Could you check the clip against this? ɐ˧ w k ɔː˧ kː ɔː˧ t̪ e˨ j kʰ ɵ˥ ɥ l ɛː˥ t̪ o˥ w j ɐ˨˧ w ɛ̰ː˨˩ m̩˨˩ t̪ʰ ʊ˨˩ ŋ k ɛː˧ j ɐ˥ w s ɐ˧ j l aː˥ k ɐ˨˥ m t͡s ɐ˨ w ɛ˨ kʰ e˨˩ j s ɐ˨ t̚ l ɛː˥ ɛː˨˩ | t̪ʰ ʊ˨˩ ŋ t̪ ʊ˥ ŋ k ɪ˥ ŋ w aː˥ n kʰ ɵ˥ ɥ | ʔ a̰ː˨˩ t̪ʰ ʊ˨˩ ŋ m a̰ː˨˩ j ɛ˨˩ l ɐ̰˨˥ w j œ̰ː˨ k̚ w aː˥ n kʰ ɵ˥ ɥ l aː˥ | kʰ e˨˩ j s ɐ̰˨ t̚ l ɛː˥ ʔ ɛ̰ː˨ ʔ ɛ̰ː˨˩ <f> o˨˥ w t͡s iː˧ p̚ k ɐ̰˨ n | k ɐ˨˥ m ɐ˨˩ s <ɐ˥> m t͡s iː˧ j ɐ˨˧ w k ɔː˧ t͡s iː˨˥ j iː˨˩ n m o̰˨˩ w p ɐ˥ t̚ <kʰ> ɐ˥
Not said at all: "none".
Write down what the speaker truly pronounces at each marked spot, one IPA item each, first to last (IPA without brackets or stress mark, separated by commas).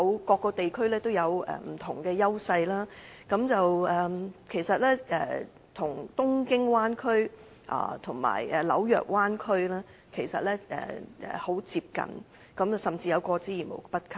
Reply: h, ɐ˨, kʰ